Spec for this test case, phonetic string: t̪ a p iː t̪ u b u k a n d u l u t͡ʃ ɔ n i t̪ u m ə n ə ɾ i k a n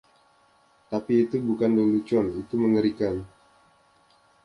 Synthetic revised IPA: t̪ a p iː t̪ u b u k a n d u l u t͡ʃ ɔ n i t̪ u m ə ŋ ə ɾ i k a n